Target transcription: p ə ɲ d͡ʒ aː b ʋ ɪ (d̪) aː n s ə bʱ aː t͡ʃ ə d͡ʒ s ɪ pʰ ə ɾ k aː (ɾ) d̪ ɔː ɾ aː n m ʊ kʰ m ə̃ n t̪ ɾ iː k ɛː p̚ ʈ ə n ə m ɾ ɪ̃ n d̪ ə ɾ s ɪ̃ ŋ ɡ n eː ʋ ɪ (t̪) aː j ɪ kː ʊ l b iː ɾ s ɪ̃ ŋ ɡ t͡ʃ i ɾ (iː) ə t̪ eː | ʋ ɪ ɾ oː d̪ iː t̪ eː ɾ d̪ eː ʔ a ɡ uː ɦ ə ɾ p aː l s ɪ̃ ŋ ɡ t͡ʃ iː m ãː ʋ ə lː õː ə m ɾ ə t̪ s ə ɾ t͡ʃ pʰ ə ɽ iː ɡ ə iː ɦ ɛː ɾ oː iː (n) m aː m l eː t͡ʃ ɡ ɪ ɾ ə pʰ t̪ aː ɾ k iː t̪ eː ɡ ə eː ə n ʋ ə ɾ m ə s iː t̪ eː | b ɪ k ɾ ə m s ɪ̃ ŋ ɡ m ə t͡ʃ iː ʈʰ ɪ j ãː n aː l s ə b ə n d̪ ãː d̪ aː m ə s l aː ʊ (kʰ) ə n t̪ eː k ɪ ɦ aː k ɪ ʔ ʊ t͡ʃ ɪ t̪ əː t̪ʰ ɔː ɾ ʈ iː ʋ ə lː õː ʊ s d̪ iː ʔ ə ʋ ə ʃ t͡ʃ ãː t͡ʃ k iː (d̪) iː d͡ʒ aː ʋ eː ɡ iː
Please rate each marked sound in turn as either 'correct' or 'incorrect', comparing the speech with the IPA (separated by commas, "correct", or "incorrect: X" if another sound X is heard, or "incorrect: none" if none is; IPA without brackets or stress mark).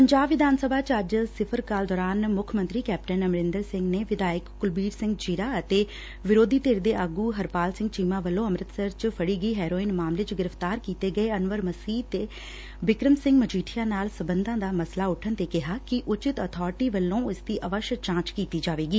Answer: correct, incorrect: l, incorrect: d̪, incorrect: aː, correct, incorrect: ʈʰ, incorrect: t̪